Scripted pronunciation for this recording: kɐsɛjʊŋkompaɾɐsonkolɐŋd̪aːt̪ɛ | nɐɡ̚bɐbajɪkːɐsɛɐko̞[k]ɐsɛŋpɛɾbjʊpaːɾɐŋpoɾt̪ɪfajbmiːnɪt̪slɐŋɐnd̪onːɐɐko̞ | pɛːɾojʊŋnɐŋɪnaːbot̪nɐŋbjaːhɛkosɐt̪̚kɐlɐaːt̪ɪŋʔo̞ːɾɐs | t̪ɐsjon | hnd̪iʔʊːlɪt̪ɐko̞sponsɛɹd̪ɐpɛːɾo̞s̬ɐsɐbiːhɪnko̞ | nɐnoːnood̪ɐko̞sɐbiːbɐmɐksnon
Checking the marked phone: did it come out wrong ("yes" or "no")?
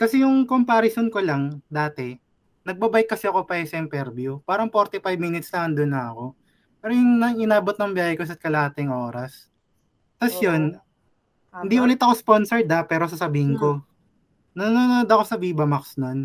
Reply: yes